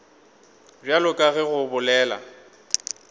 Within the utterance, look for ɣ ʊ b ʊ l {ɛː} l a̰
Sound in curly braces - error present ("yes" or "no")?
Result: no